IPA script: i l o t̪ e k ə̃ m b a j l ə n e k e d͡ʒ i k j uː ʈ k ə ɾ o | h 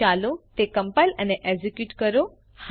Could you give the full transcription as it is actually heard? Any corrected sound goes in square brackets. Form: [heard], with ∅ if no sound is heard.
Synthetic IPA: [a] l o t̪ e k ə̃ m [p] a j l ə n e [ʔ] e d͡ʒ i k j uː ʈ k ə ɾ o | h